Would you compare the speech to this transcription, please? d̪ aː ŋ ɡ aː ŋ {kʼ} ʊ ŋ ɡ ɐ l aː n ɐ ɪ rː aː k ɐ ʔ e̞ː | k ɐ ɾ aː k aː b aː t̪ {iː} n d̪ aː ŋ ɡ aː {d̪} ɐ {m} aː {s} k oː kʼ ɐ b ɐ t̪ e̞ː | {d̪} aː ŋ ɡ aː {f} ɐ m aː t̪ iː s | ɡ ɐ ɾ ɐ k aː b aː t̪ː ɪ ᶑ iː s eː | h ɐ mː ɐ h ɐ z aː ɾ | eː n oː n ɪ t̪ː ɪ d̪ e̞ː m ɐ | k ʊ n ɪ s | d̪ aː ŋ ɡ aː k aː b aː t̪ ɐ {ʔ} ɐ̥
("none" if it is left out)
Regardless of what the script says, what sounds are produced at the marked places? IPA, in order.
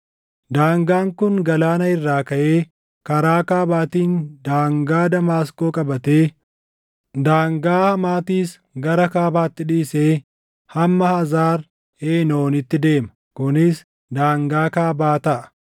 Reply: k, iː, d̪, m, s, d̪, h, ʔ

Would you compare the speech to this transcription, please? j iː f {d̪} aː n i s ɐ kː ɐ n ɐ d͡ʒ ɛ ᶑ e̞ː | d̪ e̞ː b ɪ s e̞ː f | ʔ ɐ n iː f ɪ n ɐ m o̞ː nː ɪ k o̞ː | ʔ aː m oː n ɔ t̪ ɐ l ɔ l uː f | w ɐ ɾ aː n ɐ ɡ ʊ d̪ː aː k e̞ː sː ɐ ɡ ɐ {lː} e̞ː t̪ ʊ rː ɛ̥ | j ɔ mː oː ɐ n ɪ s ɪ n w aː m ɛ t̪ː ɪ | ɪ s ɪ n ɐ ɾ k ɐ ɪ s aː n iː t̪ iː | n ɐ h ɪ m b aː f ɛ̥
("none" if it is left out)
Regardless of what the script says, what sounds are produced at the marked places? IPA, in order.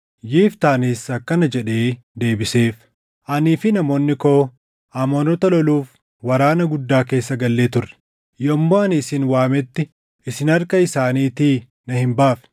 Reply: t̪, lː

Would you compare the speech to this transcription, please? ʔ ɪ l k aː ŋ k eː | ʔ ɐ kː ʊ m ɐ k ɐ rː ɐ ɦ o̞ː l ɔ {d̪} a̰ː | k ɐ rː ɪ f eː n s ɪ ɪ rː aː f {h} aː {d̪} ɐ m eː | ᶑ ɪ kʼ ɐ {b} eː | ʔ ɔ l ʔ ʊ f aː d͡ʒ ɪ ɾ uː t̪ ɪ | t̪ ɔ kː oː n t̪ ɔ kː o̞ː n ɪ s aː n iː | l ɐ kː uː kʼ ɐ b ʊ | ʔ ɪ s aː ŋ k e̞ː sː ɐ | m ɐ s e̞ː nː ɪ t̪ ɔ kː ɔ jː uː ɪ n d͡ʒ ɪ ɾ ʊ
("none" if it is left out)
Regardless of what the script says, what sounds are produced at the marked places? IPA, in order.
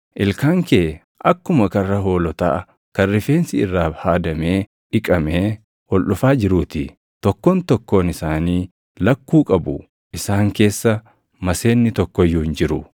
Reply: t̪, h, d̪, m

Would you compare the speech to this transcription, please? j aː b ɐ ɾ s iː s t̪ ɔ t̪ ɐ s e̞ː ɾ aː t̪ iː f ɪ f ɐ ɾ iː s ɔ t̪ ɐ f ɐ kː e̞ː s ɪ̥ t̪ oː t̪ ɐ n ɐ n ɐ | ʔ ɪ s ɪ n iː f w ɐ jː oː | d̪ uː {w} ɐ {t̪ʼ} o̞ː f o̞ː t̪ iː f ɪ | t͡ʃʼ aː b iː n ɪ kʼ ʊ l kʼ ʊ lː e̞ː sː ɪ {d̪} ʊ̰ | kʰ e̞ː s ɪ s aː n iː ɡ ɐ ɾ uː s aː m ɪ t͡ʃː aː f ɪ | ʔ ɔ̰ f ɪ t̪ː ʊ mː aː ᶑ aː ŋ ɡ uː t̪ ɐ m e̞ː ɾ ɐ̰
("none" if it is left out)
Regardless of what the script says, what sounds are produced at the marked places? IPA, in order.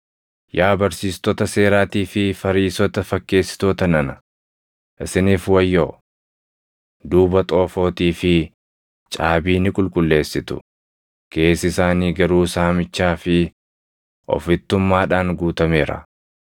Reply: b, t̪ʼ, t̪

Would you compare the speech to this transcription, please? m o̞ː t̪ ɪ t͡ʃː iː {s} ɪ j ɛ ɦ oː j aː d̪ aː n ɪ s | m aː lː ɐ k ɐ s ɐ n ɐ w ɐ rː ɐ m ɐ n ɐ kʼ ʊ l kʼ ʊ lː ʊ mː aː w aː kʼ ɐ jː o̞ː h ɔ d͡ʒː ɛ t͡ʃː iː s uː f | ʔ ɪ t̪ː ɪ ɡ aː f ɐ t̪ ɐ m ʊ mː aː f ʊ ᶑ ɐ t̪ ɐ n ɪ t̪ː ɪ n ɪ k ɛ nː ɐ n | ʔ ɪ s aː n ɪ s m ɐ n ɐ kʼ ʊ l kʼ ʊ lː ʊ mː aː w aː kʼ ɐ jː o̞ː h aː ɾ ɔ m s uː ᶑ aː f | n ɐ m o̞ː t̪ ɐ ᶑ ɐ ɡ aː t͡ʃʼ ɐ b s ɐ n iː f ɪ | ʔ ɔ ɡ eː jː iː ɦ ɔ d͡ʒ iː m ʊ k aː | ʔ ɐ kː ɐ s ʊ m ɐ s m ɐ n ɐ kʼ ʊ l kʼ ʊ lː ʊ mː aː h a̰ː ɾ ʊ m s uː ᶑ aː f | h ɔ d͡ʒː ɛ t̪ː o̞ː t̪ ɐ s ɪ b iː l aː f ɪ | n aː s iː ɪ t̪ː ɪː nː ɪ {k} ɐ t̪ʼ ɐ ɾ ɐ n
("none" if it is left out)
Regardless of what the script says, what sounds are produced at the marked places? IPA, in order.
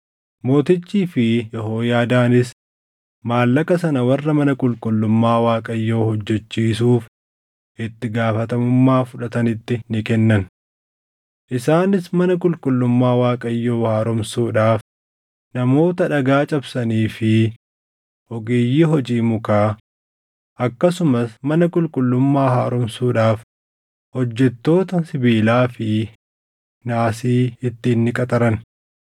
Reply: f, kʼ

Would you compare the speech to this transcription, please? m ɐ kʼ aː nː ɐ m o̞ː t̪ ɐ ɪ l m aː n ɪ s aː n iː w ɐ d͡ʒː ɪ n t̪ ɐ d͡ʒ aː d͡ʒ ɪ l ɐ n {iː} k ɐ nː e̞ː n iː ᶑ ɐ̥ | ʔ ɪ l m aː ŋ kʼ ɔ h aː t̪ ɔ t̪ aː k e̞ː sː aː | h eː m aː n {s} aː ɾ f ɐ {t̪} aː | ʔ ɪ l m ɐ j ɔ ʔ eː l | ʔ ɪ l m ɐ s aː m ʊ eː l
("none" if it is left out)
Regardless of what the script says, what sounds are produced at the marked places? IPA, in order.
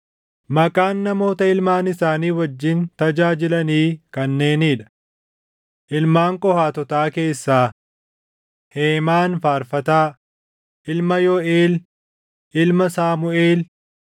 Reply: iː, f, t̪

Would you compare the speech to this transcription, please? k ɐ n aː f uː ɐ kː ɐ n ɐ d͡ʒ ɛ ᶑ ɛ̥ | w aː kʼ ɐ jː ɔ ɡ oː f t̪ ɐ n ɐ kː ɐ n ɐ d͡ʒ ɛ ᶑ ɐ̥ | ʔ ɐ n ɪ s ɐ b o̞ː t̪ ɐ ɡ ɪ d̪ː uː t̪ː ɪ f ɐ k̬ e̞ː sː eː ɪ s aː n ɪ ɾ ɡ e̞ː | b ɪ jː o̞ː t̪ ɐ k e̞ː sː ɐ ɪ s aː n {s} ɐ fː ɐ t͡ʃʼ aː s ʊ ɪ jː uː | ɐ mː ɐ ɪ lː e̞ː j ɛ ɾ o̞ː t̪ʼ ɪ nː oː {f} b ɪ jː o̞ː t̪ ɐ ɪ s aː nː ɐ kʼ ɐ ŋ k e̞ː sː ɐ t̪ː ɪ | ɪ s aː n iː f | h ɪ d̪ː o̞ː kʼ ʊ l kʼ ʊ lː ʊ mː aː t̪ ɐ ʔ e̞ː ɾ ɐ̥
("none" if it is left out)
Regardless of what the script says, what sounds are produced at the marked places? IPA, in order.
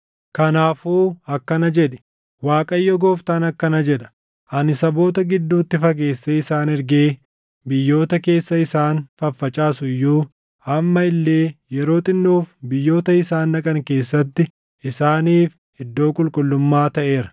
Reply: f, f

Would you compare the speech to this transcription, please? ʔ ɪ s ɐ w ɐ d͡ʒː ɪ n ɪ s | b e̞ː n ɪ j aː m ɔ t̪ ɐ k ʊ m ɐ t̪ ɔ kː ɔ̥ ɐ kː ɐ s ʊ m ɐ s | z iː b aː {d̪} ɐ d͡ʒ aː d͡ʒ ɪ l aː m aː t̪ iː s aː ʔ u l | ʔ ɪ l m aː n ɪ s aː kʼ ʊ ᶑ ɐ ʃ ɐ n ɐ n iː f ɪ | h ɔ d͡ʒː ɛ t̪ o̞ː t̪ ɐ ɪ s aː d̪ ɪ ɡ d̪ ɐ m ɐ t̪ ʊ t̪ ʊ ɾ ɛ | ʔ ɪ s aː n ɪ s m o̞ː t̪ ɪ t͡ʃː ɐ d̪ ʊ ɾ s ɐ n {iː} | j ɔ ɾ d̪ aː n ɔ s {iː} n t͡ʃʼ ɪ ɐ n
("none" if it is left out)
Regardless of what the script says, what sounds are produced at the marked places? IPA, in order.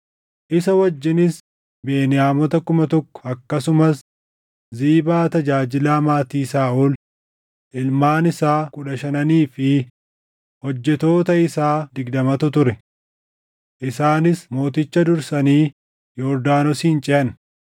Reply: t̪, iː, iː

